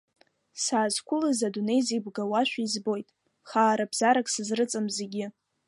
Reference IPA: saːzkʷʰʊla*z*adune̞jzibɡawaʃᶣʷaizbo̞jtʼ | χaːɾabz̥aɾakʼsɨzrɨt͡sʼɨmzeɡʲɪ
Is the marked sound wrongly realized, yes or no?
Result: no